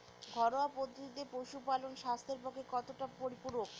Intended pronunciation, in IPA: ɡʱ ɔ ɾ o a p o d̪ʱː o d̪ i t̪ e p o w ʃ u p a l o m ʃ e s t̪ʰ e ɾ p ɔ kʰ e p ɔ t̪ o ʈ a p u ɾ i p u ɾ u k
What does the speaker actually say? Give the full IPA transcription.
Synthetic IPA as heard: ɡʱ ɔ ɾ o a p o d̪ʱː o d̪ i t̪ e p o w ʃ u p a l o n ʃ a s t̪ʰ e ɾ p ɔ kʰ e k ɔ t̪ o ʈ a p o ɾ i p u ɾ o k